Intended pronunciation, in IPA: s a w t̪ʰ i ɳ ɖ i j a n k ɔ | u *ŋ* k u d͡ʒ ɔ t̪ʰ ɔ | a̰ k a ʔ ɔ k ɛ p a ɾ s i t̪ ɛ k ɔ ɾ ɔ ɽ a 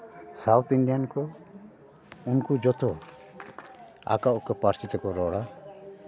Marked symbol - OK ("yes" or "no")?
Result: no